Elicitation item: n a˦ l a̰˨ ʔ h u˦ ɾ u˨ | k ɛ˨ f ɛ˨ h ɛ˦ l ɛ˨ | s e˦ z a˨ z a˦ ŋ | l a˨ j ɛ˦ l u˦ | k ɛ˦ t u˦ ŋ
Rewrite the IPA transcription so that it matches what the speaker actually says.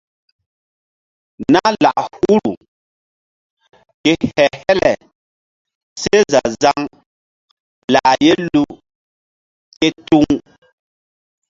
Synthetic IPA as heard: n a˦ l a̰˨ ʔ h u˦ ɾ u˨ | k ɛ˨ h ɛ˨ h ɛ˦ l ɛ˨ | s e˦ z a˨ z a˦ ŋ | l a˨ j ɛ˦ l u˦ | k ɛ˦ t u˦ ŋ